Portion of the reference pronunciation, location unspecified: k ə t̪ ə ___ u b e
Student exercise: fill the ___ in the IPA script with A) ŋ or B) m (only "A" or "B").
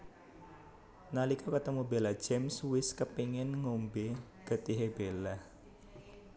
B